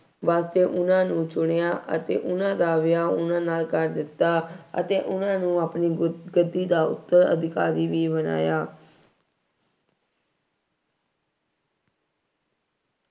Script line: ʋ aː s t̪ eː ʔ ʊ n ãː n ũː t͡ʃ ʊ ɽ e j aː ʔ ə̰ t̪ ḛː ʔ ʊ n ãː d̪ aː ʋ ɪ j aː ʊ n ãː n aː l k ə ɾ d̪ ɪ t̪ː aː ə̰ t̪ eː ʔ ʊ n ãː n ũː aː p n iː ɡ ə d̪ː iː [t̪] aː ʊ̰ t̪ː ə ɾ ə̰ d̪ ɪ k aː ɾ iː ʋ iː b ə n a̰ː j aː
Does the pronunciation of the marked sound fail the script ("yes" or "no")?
yes